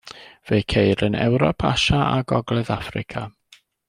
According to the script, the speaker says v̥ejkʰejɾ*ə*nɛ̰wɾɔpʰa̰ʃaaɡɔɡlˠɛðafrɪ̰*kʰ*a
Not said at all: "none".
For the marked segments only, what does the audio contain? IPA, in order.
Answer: ə, kʰ

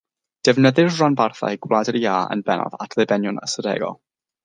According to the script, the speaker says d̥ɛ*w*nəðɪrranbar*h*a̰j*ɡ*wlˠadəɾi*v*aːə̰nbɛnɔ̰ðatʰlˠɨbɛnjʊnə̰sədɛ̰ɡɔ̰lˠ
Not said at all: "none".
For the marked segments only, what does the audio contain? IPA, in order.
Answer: v, θ, ɡ, none

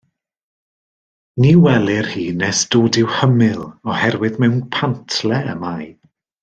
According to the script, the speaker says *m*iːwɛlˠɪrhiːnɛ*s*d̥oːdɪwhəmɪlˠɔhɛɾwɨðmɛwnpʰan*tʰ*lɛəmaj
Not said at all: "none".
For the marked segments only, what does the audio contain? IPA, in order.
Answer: n, s, tʰ

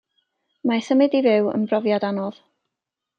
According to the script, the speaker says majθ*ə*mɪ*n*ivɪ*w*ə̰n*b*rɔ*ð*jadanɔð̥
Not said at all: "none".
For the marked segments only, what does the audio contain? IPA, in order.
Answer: ə, d, w, b, v

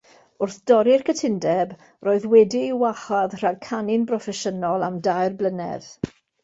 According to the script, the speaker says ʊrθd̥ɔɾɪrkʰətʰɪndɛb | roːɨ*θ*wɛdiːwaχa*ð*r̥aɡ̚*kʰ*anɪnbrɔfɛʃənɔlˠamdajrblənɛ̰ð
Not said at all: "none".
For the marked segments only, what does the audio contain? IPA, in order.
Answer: ð, ð, kʰ

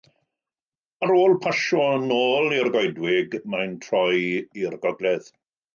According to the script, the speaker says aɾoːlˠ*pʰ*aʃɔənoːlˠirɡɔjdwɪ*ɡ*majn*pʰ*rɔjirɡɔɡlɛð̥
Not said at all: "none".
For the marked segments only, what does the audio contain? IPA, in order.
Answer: pʰ, ɡ, tʰ

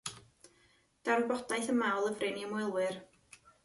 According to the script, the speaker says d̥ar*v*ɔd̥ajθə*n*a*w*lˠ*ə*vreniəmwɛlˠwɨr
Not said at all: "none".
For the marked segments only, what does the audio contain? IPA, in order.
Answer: b, m, w, ə

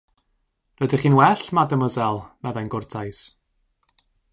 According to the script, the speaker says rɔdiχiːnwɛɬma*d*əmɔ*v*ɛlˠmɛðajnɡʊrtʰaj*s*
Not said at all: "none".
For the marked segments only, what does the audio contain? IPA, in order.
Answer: d, z, s

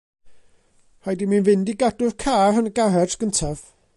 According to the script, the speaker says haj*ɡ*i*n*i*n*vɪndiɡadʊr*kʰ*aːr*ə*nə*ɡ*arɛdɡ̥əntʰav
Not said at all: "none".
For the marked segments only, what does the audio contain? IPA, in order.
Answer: d, m, n, kʰ, ə, ɡ

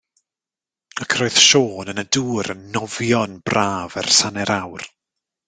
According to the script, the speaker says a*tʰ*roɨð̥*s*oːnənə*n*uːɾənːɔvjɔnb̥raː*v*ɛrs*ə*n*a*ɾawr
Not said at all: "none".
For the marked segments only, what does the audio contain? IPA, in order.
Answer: kʰ, ʃ, d, v, a, ɛ

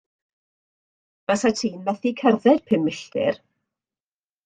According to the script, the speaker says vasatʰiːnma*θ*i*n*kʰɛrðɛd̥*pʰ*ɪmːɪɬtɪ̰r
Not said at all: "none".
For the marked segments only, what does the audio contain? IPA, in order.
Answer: θ, none, pʰ

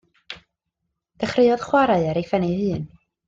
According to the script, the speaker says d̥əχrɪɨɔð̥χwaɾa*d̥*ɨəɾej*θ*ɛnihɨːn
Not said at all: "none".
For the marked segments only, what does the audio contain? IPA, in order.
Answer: none, f

